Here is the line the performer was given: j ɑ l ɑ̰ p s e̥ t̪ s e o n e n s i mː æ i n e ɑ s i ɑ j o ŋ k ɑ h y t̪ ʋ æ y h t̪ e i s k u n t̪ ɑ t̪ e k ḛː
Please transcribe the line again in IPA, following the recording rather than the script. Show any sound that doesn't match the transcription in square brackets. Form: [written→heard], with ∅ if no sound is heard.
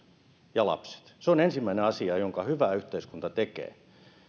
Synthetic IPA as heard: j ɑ l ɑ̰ p s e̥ t̪ s e o n e n s i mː æ i n e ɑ s i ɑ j o ŋ k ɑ h y [t̪→∅] ʋ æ y h t̪ e i s k u n t̪ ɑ t̪ e k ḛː